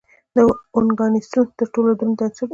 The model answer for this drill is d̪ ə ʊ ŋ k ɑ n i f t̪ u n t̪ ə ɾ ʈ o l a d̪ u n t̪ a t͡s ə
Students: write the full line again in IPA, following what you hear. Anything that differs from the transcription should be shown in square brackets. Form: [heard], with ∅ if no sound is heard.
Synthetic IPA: d̪ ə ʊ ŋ [ɡ] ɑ n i [s] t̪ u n t̪ ə ɾ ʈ o l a d̪ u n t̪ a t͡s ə

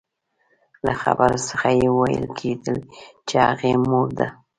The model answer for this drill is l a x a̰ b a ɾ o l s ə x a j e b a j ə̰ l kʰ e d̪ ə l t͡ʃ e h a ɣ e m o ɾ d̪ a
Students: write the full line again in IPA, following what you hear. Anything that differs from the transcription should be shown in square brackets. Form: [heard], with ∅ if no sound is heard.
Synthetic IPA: l a x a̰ b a ɾ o [∅] s ə x a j e [w] a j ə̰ l kʰ e d̪ ə l t͡ʃ e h a ɣ e m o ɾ d̪ a

